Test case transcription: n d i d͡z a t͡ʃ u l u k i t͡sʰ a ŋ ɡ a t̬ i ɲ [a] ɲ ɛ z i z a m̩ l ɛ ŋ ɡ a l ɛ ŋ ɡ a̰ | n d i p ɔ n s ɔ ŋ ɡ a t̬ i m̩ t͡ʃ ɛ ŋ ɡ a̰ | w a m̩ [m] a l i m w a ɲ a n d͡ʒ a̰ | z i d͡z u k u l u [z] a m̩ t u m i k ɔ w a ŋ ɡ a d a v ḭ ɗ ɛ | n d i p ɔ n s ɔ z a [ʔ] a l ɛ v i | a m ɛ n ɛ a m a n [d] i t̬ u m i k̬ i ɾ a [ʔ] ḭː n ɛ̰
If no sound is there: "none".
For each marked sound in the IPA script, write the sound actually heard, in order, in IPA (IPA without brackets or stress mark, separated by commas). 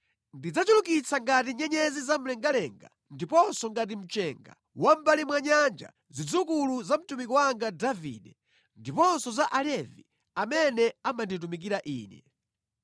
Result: ɛ, b, z, ʔ, d, ʔ